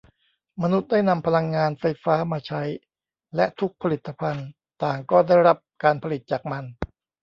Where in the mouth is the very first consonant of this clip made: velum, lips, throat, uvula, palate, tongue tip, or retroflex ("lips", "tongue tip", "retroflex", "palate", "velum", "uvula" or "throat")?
lips